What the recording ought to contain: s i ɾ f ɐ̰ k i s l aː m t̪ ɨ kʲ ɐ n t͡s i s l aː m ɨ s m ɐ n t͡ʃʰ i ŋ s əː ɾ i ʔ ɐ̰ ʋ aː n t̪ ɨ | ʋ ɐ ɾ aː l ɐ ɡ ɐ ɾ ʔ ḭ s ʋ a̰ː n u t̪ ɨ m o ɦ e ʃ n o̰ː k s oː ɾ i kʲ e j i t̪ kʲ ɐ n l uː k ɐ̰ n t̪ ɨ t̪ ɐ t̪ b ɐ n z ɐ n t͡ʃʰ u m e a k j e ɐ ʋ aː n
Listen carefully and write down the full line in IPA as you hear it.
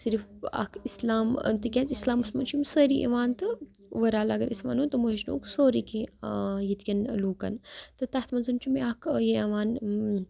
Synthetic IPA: s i ɾ f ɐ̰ k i s l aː m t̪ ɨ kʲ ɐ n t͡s i s l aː m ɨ s m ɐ n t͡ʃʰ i m s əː ɾ i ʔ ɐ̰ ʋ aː n t̪ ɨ | ʋ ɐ ɾ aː l ɐ ɡ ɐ ɾ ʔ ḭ s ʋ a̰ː n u t̪ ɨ m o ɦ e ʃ n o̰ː k s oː ɾ i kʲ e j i t̪ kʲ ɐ n l uː k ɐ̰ n t̪ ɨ t̪ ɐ t̪ m ɐ n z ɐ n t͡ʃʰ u m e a k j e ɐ ʋ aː n

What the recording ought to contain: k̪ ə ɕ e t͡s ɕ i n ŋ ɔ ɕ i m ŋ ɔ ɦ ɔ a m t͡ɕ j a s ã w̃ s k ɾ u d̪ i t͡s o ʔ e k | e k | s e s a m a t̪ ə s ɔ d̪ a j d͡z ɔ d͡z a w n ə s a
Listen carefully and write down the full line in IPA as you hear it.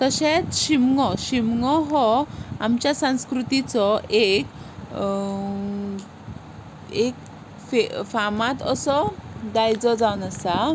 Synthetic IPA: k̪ ə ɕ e t͡s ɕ i m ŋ ɔ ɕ i m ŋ ɔ ɦ ɔ a m t͡ɕ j a s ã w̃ s k ɾ u t̪ i t͡s ɔ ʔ e k | e k | f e f a m a t̪ ə s ɔ d̪ a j d͡z ɔ d͡z a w n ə s a

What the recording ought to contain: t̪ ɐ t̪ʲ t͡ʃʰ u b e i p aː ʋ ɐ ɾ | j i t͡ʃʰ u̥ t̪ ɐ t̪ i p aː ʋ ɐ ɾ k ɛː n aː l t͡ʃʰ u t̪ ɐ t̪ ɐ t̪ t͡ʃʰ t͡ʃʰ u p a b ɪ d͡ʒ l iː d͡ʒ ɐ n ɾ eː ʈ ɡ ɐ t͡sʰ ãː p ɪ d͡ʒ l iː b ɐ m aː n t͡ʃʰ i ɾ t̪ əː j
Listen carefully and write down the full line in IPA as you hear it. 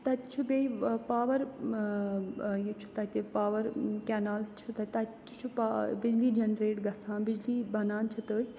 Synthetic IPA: t̪ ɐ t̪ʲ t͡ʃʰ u b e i p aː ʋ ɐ ɾ | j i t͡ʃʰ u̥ t̪ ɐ t̪ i p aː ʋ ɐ ɾ k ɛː n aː l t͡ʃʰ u t̪ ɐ t̪ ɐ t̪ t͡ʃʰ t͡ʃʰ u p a b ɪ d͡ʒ l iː d͡ʒ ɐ n ɾ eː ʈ ɡ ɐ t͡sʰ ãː b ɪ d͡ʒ l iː b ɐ n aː n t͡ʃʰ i t̪ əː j

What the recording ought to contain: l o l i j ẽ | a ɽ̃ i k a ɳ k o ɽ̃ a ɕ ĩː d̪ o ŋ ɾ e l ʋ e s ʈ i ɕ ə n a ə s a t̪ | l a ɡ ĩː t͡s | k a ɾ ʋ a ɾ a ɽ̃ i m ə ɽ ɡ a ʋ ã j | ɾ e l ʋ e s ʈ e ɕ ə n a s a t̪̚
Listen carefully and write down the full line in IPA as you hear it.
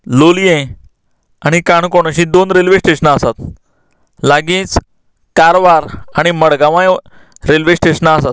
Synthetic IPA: l o l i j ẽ | a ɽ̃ i k a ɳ k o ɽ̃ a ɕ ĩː d̪ o n ɾ e l ʋ e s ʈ e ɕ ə n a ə s a t̪ | l a ɡ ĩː t͡s | k a ɾ ʋ a ɾ a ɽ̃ i m ə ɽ ɡ a ʋ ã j | ɾ e l ʋ e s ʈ e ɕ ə n a s a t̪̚

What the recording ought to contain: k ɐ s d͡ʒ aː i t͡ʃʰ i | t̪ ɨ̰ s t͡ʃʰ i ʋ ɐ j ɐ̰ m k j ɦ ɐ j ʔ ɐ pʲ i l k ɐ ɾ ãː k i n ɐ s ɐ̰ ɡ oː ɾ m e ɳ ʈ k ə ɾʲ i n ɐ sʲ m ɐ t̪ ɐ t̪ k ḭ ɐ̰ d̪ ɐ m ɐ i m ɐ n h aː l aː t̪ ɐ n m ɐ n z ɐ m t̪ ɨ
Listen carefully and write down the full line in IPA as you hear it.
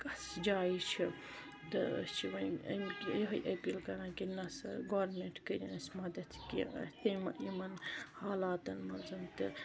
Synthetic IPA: k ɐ s d͡ʒ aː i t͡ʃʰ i | t̪ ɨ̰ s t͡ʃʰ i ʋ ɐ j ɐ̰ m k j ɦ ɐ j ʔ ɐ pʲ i l k ɐ ɾ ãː k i n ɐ s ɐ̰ ɡ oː ɾ m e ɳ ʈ k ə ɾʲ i n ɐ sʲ m ɐ d̪ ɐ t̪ k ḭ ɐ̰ t̪ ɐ m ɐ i m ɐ n h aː l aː t̪ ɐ n m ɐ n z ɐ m t̪ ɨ

